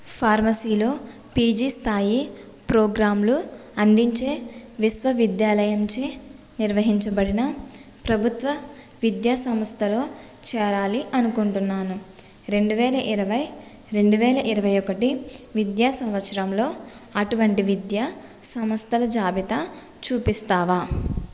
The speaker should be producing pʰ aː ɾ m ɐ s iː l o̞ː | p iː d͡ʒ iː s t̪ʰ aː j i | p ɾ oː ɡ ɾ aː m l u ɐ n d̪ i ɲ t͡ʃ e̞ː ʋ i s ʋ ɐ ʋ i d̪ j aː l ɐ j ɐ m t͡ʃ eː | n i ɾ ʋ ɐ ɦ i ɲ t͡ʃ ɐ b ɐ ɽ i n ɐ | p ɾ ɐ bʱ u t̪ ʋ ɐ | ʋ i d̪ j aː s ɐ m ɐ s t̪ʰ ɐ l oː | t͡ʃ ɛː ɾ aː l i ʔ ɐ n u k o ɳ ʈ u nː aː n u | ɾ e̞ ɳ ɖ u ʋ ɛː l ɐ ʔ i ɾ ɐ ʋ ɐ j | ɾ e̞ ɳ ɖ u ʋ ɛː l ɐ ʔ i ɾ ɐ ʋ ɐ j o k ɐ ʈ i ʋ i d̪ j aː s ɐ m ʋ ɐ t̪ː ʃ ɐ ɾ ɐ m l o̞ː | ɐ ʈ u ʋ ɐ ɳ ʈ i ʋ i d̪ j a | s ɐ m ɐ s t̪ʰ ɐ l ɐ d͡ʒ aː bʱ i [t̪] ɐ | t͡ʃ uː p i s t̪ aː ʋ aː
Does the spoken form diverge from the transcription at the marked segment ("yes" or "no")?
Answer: no